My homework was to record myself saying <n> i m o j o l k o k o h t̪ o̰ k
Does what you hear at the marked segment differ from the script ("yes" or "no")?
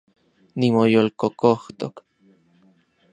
no